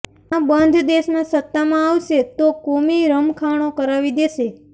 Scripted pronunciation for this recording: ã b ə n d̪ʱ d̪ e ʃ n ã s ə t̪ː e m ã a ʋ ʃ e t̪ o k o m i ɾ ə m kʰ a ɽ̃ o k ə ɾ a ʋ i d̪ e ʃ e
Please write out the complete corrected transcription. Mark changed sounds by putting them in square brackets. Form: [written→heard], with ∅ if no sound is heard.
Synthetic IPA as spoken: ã b ə n d̪ʱ d̪ e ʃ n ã s ə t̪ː [e→a] m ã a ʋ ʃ e t̪ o k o m i ɾ ə m kʰ a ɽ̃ o k ə ɾ a ʋ i d̪ e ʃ e